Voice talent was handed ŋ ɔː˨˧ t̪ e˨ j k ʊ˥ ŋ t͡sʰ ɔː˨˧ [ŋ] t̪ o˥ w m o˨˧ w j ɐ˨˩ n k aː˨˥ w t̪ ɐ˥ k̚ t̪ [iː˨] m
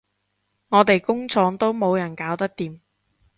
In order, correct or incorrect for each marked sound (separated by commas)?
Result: correct, correct